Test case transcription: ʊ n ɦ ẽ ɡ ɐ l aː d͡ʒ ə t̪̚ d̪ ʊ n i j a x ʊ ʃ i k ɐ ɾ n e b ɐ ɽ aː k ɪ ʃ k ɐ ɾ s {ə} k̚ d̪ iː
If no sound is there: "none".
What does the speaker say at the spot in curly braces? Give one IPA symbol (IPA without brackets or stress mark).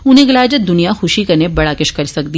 ɐ